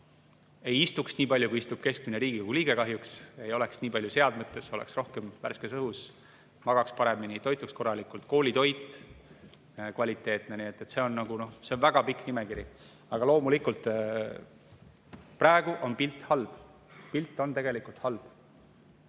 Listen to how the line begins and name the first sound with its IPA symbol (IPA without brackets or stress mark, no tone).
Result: e̞